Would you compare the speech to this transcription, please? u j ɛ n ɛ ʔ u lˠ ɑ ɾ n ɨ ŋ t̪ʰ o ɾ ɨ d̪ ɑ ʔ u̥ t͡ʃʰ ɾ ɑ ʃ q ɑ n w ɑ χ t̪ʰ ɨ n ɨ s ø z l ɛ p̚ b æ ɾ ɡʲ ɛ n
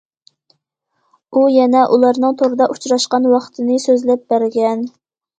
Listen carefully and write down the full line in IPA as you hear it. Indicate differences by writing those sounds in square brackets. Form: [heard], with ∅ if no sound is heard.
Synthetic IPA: u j ɛ n ɛ ʔ u lˠ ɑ ɾ n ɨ ŋ t̪ʰ o ɾ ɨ d̪ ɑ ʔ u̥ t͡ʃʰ ɾ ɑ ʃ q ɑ n w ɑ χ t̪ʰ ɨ n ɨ s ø z l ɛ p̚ b æ ɾ ɡʲ ɛ n